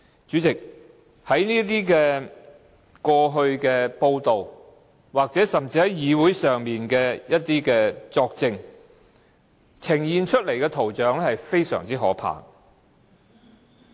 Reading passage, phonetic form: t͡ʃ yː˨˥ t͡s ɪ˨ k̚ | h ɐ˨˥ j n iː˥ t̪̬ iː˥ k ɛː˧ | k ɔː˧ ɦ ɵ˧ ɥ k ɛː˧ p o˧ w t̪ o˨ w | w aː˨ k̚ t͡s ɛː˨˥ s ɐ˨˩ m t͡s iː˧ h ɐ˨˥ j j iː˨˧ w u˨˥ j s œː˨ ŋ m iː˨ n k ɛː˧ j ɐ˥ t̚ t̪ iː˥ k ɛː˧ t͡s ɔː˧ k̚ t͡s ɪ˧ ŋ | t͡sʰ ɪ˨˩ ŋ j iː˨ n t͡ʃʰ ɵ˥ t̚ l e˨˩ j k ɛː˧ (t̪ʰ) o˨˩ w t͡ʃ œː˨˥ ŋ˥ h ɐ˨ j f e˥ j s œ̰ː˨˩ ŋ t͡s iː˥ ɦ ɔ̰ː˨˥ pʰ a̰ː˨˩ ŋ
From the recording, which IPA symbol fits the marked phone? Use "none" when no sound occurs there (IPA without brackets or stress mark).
t̪ʰ